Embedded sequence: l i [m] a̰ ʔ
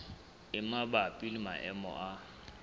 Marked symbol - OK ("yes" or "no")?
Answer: yes